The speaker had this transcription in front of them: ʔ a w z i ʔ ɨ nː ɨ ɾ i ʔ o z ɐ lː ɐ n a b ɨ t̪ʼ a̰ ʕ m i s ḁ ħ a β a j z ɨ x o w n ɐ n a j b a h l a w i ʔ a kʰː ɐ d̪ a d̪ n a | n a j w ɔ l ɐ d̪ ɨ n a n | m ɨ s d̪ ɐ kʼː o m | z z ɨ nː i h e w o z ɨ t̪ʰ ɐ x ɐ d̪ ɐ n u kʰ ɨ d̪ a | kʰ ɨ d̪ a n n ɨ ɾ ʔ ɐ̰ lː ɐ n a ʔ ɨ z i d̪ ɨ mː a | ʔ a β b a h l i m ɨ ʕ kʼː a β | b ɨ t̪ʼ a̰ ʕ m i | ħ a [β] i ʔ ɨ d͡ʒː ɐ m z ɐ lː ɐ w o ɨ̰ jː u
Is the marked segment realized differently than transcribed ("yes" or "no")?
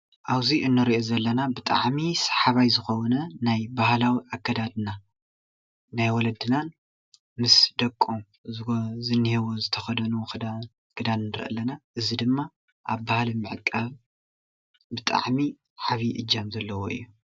no